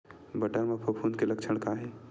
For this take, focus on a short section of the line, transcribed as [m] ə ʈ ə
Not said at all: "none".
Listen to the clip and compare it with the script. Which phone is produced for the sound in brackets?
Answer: b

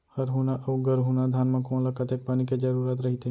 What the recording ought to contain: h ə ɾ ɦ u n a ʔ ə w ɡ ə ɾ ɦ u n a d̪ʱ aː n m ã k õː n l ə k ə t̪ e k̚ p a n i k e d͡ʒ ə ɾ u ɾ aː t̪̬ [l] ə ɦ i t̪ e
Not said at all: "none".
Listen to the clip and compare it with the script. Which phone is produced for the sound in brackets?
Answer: ɾ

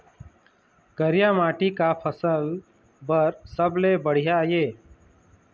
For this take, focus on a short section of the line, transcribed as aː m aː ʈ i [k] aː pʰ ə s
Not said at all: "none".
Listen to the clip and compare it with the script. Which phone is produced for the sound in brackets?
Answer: k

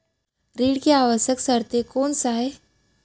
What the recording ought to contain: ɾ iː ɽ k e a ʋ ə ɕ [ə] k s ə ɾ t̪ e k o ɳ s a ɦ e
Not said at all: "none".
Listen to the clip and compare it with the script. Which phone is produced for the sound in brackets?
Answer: ə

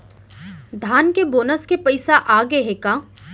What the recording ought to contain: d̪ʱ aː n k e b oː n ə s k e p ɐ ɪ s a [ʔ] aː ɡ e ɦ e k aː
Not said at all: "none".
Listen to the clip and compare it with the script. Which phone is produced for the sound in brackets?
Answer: ʔ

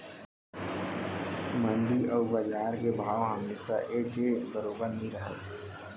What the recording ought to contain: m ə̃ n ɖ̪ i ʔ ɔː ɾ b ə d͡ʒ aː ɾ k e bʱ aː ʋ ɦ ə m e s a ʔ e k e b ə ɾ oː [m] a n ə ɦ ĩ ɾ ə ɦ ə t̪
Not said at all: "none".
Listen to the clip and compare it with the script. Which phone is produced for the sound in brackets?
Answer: b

